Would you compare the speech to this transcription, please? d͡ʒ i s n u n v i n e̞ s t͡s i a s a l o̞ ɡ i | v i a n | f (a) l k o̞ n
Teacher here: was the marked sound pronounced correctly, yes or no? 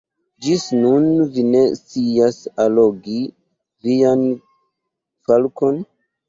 yes